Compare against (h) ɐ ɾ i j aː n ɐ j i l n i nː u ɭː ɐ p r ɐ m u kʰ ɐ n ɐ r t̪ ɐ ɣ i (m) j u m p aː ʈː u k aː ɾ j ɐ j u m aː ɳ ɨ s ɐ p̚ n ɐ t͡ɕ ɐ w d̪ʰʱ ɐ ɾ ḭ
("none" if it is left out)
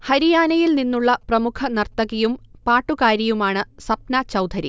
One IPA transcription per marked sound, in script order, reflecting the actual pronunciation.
h, none

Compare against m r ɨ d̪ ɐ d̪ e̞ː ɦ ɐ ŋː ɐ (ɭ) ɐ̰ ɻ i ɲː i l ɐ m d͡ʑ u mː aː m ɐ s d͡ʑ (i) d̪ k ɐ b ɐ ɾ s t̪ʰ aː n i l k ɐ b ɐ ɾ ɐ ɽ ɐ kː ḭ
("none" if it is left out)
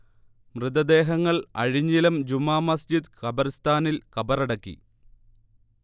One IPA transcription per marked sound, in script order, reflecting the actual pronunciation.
ɭ, i

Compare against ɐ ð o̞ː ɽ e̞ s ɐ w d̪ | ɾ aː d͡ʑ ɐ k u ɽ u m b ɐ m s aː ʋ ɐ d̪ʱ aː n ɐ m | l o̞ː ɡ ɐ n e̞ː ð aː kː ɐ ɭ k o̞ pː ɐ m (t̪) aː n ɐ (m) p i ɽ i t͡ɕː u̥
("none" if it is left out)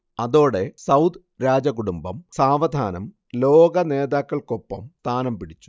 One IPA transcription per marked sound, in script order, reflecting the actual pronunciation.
t̪, m

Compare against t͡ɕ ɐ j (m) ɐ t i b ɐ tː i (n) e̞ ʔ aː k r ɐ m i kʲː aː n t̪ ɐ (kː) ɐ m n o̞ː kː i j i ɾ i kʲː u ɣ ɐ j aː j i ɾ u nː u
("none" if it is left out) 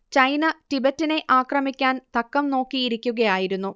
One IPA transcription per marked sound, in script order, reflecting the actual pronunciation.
n, n, kː

